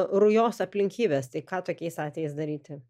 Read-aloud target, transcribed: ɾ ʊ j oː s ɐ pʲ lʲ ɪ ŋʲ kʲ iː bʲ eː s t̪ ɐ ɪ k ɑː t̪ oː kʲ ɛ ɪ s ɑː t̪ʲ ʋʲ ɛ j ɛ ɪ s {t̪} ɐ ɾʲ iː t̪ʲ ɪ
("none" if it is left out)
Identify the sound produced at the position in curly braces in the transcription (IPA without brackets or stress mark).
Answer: d̪